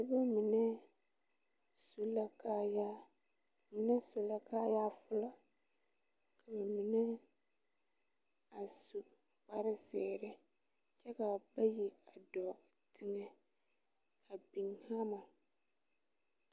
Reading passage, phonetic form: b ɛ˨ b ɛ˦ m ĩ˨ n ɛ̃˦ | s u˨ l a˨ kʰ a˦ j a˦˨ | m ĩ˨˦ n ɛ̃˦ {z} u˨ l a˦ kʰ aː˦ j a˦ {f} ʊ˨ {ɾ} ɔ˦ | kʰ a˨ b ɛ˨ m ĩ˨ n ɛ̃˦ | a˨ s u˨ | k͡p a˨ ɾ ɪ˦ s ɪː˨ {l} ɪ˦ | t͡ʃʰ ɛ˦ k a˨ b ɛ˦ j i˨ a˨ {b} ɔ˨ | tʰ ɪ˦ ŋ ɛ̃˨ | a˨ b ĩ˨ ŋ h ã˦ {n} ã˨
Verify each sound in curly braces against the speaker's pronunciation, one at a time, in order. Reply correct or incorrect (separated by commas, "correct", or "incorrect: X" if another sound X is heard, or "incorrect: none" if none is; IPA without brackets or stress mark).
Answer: incorrect: s, correct, incorrect: l, incorrect: ɾ, incorrect: d, incorrect: m